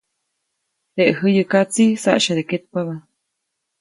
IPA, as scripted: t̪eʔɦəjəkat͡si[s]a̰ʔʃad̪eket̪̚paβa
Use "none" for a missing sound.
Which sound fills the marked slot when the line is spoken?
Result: s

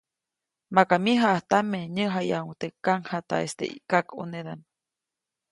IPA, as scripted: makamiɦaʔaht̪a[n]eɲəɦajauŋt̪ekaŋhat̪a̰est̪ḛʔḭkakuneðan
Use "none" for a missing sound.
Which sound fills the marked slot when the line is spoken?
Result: m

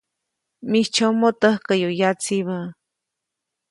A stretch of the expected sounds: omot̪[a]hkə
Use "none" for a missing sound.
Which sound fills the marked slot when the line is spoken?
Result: ə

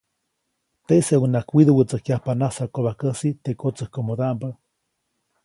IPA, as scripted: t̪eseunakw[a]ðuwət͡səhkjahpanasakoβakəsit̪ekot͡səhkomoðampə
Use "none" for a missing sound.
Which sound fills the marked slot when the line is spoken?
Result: i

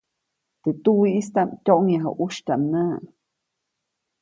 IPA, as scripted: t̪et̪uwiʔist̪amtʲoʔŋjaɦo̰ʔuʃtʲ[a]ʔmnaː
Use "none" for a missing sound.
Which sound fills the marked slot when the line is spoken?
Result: a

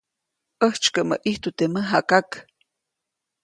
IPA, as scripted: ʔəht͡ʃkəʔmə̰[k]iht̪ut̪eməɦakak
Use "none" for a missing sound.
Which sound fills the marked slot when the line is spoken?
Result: ʔ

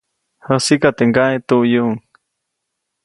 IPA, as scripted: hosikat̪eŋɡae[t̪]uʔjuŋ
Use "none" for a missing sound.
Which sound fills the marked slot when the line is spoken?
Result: t̪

